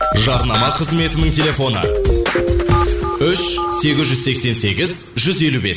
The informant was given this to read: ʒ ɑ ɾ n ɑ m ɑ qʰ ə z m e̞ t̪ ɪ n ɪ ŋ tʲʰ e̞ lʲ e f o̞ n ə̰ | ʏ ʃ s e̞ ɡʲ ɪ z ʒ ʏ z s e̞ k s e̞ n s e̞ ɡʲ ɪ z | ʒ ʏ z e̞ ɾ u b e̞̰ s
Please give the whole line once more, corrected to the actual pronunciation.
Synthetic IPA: ʒ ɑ ɾ n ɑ m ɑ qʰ ə z m e̞ t̪ ɪ n ɪ ŋ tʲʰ e̞ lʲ e f o̞ n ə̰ | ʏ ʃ s e̞ ɡʲ ɪ z ʒ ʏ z s e̞ k s e̞ n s e̞ ɡʲ ɪ z | ʒ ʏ z e̞ l u b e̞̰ s